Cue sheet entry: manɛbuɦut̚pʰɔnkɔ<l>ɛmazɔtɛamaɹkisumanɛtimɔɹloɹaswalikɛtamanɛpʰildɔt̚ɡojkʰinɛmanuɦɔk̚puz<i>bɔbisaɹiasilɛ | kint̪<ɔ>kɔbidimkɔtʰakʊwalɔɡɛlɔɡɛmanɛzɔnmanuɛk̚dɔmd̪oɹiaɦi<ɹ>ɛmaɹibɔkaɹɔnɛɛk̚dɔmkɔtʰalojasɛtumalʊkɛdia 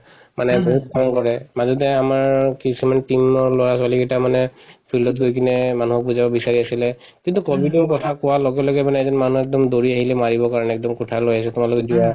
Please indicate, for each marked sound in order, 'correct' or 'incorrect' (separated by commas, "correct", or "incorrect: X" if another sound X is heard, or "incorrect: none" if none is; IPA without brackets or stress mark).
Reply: incorrect: ɹ, incorrect: a, incorrect: u, incorrect: l